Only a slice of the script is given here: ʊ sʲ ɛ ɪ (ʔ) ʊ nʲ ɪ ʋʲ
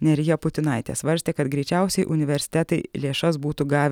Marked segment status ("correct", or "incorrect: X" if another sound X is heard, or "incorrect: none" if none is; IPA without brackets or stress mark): correct